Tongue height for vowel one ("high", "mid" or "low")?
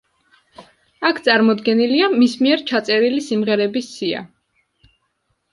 low